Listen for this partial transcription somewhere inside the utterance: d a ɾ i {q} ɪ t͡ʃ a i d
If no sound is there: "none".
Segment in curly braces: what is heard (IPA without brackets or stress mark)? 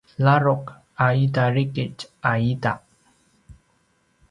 k